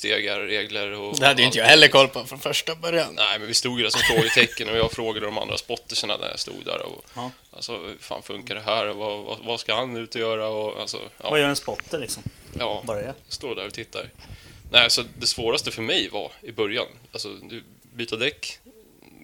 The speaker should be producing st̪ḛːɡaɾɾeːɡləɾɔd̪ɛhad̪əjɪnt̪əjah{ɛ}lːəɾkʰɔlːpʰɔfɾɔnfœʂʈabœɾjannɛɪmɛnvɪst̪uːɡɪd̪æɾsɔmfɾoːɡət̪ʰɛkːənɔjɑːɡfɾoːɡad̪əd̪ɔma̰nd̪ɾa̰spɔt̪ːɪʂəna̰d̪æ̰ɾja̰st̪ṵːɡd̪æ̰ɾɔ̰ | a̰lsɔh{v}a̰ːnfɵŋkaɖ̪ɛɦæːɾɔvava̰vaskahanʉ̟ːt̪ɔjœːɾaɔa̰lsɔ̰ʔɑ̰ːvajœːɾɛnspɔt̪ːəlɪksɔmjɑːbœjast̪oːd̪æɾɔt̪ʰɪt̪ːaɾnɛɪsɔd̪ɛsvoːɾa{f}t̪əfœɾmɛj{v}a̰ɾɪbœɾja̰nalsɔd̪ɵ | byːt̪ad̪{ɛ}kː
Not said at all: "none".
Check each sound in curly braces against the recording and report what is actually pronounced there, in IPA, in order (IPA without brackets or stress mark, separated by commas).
ɛ, f, s, v, ɛ